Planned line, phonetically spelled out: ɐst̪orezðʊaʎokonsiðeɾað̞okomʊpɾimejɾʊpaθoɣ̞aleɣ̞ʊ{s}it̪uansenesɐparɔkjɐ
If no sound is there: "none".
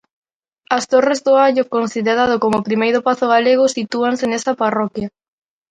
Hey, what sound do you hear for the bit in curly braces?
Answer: s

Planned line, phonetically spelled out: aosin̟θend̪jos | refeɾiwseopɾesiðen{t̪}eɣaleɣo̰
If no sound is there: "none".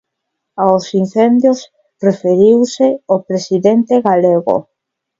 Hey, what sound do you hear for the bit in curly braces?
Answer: t̪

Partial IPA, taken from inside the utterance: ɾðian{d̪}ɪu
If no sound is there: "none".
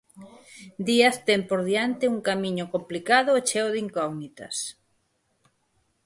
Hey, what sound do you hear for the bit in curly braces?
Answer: t̪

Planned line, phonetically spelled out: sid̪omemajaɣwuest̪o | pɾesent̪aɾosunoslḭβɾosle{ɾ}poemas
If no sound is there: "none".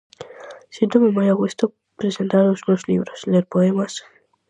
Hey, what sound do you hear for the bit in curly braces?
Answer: ɾ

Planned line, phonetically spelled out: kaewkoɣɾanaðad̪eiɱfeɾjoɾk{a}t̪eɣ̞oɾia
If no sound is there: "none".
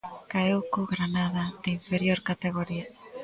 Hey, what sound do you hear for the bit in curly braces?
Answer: a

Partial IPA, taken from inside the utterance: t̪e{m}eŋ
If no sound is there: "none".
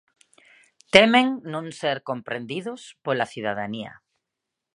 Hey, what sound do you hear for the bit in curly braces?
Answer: m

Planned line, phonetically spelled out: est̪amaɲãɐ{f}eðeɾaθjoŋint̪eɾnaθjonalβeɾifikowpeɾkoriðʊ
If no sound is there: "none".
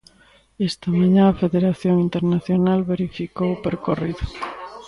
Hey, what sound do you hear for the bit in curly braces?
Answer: f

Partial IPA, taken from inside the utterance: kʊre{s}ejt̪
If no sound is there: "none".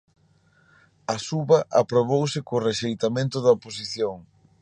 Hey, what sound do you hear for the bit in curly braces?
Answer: ʃ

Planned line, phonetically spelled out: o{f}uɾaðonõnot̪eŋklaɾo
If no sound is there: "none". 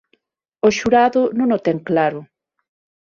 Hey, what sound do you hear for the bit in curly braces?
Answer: ʃ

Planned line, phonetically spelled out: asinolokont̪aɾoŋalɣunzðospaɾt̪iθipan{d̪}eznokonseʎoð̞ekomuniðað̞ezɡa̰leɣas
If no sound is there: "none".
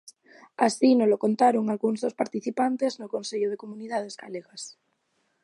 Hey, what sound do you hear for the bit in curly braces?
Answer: t̪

